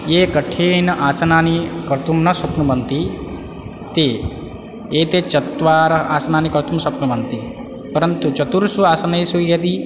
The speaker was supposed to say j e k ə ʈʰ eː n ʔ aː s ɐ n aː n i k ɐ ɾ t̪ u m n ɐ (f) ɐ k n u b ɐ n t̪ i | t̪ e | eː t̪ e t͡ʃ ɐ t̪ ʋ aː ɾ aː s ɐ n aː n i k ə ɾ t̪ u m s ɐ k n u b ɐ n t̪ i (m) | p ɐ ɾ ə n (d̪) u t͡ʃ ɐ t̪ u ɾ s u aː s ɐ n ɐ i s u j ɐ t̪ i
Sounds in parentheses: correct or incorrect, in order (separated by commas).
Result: incorrect, incorrect, incorrect